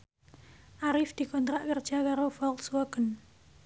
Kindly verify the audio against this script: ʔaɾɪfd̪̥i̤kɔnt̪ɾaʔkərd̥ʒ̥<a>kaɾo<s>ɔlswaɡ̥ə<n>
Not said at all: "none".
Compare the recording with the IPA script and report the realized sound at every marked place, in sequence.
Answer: a, f, n

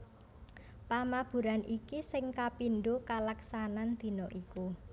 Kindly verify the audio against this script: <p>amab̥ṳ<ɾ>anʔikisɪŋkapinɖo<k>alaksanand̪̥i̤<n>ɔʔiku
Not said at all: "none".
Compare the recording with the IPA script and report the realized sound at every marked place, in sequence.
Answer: p, ɾ, k, n

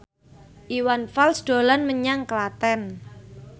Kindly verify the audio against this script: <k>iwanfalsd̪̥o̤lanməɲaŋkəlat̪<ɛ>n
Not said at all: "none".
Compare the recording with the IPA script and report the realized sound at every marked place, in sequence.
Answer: ʔ, ɛ

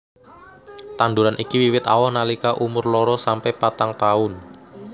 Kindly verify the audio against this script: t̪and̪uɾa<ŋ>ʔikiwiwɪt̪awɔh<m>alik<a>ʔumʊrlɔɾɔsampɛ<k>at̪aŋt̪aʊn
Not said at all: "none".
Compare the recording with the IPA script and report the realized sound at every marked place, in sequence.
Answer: n, n, a, p

